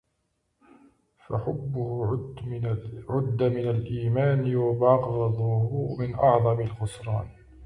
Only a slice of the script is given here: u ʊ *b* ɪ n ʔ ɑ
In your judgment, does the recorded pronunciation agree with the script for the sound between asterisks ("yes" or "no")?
no